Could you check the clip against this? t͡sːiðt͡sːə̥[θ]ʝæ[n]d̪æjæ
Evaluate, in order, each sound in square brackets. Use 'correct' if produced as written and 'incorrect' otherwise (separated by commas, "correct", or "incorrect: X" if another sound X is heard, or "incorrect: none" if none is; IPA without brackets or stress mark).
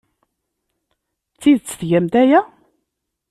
correct, incorrect: m